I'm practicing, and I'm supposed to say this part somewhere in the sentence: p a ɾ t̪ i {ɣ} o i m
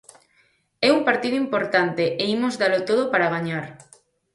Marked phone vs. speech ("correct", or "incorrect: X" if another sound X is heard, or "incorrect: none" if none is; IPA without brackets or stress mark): incorrect: ð